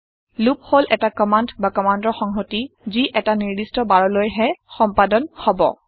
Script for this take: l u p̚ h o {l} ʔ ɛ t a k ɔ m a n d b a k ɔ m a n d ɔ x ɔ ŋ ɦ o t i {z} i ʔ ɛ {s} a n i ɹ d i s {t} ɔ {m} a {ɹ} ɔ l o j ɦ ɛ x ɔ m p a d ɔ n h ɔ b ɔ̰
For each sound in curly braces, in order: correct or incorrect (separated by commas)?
correct, correct, incorrect, correct, incorrect, correct